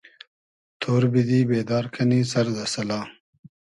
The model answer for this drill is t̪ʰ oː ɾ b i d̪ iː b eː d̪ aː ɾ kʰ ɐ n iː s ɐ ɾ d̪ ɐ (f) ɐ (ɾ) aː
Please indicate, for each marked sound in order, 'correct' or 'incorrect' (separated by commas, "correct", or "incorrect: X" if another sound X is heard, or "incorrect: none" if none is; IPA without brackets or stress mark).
incorrect: s, incorrect: l